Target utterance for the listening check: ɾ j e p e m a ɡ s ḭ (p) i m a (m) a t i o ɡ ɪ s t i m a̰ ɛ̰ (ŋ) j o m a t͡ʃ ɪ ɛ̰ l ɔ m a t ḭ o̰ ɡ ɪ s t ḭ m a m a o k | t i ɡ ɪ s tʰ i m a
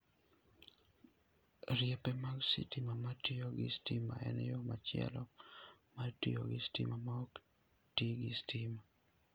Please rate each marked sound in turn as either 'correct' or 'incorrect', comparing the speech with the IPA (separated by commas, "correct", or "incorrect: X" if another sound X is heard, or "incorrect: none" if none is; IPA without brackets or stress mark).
incorrect: t, correct, incorrect: n